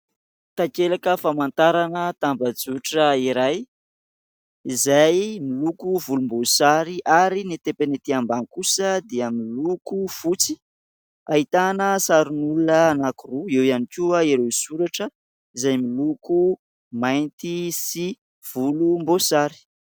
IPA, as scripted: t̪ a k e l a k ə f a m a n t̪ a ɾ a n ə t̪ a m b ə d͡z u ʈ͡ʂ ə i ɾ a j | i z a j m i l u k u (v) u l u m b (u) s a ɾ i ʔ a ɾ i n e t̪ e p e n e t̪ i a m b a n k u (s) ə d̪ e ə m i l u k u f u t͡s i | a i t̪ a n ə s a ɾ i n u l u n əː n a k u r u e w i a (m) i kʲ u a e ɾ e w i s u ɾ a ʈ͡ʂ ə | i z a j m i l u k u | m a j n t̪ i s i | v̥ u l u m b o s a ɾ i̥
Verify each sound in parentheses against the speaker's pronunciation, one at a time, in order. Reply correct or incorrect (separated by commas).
correct, incorrect, correct, incorrect